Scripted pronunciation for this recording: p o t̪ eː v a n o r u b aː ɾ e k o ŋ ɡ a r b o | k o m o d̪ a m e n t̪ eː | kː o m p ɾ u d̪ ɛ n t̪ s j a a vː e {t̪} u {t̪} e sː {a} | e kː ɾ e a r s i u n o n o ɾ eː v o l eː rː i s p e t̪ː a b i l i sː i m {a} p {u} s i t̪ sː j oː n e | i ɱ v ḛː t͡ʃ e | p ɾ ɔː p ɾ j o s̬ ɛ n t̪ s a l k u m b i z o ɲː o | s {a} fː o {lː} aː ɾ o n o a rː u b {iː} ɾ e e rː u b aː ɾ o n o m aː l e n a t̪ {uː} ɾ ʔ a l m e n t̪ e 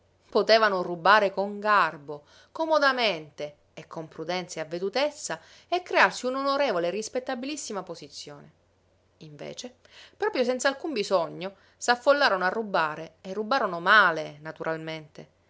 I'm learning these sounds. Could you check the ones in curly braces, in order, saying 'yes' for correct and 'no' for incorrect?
no, yes, yes, yes, no, yes, yes, no, no

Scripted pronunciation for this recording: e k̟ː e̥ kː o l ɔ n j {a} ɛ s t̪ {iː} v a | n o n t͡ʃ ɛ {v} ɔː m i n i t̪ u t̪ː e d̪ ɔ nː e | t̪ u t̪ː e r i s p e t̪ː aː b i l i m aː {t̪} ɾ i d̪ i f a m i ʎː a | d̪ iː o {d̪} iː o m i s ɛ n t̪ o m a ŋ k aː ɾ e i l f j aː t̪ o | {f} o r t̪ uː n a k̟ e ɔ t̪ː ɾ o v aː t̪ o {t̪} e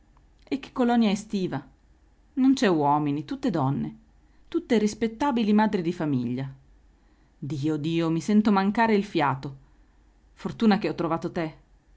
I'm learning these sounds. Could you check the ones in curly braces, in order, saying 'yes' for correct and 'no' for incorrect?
yes, yes, no, no, yes, yes, yes

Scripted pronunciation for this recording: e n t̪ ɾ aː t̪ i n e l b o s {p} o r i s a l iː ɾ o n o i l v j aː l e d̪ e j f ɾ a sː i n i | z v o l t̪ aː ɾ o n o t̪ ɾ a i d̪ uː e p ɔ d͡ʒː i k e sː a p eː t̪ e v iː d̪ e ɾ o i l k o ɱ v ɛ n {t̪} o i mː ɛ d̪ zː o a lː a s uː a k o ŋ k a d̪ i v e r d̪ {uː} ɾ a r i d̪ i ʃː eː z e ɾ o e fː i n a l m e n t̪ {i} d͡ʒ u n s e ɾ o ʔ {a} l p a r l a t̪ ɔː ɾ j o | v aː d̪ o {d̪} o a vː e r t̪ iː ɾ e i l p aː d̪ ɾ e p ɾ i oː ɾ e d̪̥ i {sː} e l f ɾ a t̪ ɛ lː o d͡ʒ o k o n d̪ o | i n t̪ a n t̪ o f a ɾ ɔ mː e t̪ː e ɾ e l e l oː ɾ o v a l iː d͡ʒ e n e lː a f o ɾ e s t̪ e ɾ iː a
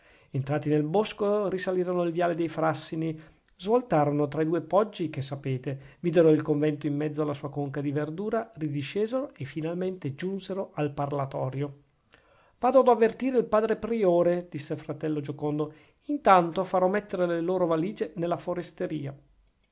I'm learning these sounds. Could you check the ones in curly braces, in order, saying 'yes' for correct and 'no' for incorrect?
no, yes, yes, no, yes, yes, yes

